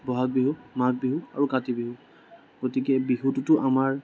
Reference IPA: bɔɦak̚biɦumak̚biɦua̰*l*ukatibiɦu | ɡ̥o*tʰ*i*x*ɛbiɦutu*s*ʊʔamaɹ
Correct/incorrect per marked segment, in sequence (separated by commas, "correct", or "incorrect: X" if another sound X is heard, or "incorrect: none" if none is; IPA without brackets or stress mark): incorrect: ɹ, incorrect: t, incorrect: k, incorrect: t